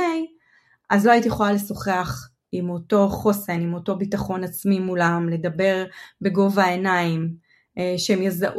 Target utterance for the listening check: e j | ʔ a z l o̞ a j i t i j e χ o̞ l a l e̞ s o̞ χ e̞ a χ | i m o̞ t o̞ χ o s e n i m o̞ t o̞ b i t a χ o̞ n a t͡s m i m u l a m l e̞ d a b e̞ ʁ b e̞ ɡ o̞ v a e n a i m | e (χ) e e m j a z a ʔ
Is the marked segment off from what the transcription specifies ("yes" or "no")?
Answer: yes